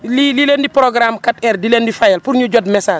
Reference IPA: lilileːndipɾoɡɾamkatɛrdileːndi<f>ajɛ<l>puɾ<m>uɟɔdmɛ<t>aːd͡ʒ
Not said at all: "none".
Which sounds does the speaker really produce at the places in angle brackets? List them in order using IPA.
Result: f, l, ɲ, s

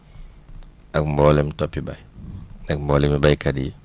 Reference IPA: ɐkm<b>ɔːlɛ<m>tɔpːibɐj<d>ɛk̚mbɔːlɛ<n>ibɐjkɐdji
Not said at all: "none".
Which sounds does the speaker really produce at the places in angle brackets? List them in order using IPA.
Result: b, m, n, m

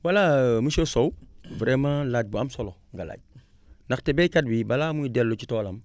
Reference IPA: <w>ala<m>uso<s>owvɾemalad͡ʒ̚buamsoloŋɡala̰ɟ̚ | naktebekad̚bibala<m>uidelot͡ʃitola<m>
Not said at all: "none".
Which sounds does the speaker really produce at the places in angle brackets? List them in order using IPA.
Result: w, m, s, m, m

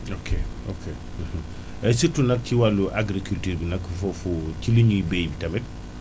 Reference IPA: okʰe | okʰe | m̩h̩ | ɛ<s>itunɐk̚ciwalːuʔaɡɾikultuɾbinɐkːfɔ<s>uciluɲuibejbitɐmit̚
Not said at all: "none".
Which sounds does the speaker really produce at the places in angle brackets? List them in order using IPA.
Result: s, f

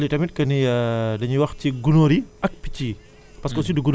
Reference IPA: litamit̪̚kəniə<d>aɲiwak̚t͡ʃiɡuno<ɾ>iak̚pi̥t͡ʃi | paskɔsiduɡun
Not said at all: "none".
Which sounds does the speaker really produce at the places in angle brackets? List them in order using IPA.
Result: d, ɾ

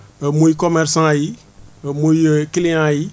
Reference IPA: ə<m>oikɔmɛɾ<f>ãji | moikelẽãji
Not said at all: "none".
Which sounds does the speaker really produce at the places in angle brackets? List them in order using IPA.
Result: m, s

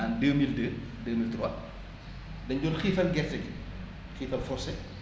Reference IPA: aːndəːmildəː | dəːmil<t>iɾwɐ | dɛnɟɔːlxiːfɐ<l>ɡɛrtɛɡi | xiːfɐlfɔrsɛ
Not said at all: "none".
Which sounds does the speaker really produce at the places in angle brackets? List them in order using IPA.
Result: t, l

